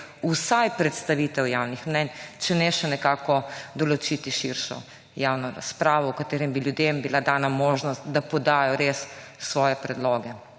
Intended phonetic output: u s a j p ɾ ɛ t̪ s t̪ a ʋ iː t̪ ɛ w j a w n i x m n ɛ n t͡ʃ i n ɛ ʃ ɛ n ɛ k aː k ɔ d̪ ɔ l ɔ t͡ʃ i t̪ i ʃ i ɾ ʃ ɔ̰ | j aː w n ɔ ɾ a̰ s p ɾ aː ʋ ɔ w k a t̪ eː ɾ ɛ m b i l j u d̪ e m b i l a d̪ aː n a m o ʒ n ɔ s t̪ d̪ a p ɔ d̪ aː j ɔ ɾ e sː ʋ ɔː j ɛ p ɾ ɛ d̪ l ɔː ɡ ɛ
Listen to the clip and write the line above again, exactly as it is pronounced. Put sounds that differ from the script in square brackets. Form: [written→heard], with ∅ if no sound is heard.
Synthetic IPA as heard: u s a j p ɾ ɛ t̪ s t̪ a ʋ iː t̪ ɛ w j a w n i x m n ɛ n t͡ʃ [i→ɛ] n ɛ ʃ ɛ n ɛ k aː k ɔ d̪ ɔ l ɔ t͡ʃ i t̪ i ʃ i ɾ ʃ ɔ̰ | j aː w n ɔ ɾ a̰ s p ɾ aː ʋ ɔ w k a t̪ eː ɾ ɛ m b i l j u d̪ e m b i l a d̪ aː n a m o ʒ n ɔ s t̪ d̪ a p ɔ d̪ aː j ɔ ɾ e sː ʋ ɔː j ɛ p ɾ ɛ d̪ l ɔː ɡ ɛ